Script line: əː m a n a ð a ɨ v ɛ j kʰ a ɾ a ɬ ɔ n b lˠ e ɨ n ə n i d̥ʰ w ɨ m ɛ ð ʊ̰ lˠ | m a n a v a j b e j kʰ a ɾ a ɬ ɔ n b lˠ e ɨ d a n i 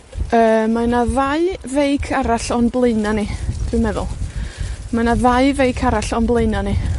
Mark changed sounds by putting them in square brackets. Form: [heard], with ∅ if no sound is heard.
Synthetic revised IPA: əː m a n a ð a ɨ v [e] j kʰ a ɾ a ɬ ɔ n b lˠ e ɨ n [a] n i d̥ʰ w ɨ m ɛ ð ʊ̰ lˠ | m a n a [ð] a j [v] e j kʰ a ɾ a ɬ ɔ n b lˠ e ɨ [n] a n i